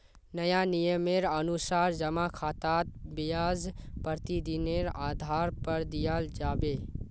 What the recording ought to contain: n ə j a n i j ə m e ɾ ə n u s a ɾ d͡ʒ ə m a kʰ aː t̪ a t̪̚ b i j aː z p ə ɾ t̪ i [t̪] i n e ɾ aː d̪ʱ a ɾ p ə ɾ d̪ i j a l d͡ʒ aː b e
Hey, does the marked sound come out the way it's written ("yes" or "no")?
no